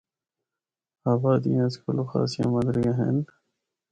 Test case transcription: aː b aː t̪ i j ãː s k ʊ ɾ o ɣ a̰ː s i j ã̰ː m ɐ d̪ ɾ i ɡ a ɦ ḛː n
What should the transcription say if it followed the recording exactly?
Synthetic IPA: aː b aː d̪ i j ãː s k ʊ l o x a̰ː s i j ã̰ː m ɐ d̪ ɾ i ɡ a ɦ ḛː n